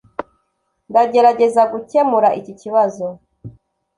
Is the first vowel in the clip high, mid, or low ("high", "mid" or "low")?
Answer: low